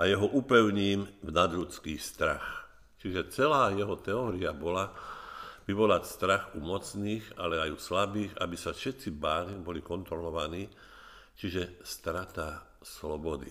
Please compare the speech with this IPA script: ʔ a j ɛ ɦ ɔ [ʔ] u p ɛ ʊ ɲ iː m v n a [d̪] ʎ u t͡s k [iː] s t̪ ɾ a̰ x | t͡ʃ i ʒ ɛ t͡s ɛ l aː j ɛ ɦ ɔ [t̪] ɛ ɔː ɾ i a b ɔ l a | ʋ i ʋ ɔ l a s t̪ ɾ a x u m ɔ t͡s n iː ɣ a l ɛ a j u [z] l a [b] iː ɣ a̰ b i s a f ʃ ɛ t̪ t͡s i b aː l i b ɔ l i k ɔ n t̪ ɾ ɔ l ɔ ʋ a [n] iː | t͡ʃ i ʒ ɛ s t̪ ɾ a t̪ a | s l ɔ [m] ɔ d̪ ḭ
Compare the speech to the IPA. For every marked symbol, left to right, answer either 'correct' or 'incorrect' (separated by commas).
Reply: correct, correct, correct, correct, incorrect, correct, correct, incorrect